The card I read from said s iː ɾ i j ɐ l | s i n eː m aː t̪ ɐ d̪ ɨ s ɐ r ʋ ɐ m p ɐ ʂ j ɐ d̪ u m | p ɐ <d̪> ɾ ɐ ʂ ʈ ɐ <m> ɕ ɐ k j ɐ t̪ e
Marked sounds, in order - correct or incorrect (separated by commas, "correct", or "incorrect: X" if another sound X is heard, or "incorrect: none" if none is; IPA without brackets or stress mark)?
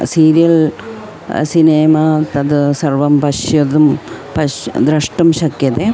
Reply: correct, correct